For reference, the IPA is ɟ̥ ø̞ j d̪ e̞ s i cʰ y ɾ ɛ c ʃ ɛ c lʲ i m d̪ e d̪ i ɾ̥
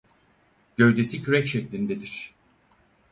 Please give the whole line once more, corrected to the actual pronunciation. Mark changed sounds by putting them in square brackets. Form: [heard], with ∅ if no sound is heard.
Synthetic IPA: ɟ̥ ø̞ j d̪ e̞ s i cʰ y ɾ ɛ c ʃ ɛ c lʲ i [n] d̪ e d̪ i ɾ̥